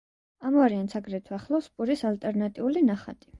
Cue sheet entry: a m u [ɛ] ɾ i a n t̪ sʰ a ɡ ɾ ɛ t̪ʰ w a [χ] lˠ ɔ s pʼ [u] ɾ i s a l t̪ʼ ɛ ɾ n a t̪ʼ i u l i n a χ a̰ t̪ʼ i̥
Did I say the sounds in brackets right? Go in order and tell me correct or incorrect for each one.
incorrect, correct, correct

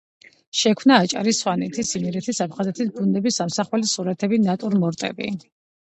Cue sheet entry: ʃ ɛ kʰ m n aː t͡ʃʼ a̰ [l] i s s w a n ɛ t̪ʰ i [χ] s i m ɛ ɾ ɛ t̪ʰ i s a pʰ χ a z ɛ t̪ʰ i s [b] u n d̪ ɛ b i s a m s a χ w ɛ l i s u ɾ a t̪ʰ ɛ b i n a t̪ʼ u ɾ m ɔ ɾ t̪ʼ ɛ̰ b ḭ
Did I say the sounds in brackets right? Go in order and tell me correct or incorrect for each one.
incorrect, incorrect, correct

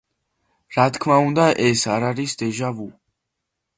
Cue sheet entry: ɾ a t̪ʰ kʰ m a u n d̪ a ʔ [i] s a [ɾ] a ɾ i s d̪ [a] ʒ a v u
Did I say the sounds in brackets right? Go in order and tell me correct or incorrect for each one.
incorrect, correct, incorrect

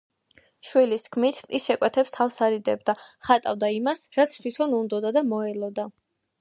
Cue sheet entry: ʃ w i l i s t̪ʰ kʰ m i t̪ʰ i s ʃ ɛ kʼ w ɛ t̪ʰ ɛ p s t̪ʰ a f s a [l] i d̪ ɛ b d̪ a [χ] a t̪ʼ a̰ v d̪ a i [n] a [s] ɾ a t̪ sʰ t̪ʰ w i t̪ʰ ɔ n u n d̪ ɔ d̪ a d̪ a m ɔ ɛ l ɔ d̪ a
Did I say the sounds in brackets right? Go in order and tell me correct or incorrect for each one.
incorrect, correct, incorrect, correct

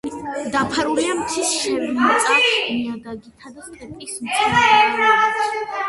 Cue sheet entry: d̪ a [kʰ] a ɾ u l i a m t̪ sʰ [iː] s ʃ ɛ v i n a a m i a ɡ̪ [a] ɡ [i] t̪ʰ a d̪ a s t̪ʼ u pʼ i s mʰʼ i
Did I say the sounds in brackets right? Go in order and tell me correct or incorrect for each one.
incorrect, incorrect, correct, correct

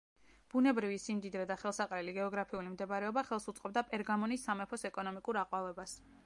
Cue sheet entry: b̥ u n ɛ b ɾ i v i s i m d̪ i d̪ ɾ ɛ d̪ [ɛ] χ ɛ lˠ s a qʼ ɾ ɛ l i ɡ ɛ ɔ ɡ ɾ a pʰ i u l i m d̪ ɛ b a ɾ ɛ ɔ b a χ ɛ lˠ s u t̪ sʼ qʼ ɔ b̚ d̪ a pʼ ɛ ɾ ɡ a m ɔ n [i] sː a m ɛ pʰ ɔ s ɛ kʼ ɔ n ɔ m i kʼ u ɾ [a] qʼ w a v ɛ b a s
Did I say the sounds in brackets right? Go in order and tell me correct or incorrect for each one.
incorrect, correct, correct

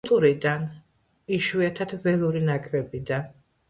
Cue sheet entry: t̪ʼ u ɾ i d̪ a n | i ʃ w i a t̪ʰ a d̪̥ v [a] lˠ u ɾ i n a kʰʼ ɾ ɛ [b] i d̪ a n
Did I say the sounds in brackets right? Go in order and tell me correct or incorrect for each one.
incorrect, correct

